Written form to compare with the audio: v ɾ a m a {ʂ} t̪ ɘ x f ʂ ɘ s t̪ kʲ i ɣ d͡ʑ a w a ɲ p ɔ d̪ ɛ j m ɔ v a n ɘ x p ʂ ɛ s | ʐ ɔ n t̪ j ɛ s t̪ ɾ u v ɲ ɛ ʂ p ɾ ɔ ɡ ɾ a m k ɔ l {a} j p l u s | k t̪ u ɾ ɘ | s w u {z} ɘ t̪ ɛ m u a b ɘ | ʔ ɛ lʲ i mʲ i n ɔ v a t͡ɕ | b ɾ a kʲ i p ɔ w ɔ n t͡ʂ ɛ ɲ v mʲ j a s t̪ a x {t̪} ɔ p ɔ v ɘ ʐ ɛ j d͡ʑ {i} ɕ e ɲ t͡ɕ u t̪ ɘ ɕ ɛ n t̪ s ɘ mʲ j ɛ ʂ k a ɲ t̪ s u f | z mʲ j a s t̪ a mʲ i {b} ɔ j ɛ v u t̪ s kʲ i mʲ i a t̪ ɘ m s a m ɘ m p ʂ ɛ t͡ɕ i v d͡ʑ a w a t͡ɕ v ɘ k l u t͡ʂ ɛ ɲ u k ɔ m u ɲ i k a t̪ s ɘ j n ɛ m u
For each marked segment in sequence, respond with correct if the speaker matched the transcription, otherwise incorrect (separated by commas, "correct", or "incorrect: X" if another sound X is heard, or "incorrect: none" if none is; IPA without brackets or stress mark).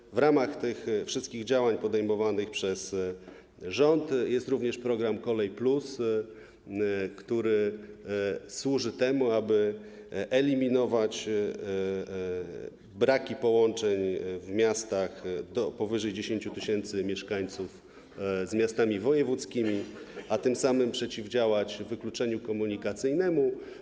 incorrect: x, incorrect: ɛ, incorrect: ʐ, incorrect: d̪, incorrect: e, incorrect: v